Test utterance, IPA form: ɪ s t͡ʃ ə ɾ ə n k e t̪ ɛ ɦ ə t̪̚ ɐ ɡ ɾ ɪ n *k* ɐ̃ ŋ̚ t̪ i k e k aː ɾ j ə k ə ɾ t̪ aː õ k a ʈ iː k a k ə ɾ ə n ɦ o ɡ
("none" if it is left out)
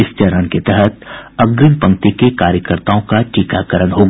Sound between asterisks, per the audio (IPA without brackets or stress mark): p